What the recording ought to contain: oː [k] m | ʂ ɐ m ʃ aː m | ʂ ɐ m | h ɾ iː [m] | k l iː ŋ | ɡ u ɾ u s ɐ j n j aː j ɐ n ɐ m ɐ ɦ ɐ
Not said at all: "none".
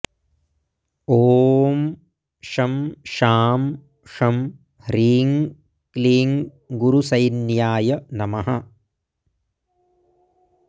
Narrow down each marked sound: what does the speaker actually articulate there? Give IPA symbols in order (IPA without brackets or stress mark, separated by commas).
none, ŋ